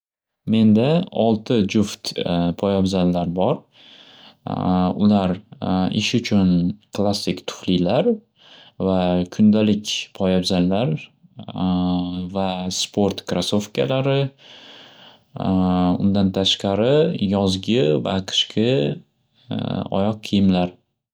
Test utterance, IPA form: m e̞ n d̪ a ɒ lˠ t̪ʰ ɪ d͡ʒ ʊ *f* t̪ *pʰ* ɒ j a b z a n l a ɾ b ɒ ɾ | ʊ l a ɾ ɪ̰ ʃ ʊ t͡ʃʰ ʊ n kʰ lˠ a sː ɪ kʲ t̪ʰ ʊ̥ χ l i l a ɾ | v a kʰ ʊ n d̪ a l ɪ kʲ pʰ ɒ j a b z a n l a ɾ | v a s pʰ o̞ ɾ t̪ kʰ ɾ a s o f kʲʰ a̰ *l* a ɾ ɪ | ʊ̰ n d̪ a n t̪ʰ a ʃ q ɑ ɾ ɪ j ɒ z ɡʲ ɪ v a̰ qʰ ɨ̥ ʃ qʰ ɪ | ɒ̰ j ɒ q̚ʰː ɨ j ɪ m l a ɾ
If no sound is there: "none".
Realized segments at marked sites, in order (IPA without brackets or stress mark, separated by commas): f, pʰ, l